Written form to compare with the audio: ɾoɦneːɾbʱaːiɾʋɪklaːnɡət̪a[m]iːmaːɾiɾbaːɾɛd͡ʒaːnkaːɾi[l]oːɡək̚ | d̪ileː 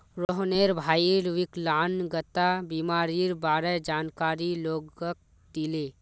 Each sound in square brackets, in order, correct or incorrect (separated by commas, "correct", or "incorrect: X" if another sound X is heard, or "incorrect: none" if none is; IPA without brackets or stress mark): incorrect: b, correct